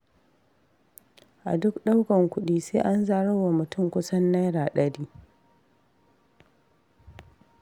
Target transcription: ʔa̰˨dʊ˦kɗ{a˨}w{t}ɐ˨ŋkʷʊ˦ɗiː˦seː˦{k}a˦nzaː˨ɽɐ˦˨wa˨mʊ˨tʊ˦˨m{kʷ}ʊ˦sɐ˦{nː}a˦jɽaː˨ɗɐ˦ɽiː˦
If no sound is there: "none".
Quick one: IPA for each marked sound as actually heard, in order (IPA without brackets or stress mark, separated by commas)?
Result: a˦, k, ʔ, kʷ, nː